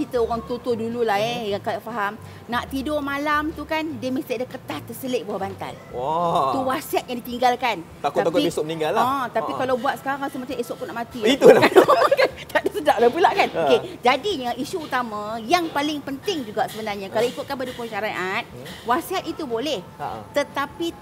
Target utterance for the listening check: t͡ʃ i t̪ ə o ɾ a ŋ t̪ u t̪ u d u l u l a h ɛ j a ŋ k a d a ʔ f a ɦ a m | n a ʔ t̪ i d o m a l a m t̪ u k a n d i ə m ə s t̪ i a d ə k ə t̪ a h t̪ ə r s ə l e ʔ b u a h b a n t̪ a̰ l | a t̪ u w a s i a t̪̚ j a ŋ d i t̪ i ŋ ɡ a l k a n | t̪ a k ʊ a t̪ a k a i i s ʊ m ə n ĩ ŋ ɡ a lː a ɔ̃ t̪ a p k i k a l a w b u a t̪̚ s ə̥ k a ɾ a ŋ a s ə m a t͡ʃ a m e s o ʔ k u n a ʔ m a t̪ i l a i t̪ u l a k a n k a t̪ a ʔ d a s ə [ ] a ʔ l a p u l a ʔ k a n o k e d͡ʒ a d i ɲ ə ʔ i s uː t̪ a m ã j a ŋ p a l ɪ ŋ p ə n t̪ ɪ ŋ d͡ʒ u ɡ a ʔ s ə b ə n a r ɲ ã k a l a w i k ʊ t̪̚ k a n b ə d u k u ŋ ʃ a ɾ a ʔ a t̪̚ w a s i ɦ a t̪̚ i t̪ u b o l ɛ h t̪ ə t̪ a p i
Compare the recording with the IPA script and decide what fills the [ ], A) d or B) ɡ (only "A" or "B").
A